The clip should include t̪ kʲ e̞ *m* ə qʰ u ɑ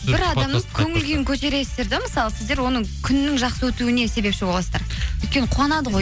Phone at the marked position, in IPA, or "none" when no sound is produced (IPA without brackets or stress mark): n